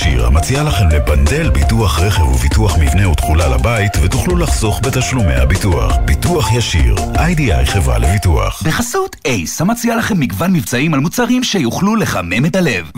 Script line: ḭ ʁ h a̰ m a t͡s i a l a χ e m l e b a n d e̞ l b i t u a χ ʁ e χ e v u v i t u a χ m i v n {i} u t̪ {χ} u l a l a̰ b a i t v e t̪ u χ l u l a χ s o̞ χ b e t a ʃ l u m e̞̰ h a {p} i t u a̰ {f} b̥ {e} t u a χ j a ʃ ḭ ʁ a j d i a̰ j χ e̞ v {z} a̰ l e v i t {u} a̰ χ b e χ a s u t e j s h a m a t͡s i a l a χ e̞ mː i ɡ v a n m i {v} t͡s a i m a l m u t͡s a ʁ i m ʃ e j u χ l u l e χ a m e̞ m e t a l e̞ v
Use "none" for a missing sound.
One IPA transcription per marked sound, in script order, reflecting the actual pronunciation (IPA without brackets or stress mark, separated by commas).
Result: e, χ, b, χ, i, ʁ, u, v